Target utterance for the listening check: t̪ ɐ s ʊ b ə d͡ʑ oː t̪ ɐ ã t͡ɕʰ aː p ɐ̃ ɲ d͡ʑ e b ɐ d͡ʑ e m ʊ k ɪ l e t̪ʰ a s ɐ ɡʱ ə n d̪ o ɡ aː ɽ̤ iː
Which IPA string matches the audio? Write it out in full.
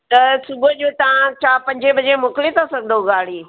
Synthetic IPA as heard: t̪ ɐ s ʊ b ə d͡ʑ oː t̪ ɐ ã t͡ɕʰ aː p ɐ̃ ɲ d͡ʑ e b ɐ d͡ʑ e m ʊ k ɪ l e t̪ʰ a s ɐ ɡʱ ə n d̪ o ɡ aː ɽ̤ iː